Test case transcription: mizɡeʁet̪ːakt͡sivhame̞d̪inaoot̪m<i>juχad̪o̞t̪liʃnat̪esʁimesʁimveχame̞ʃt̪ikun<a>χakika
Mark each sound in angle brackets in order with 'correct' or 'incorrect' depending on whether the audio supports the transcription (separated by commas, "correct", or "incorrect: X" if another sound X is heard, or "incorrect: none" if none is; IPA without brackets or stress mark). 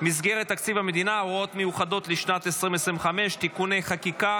incorrect: e, incorrect: e